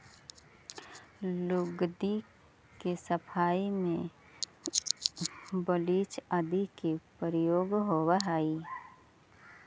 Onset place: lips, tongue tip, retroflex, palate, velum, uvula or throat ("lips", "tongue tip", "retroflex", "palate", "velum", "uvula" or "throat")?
tongue tip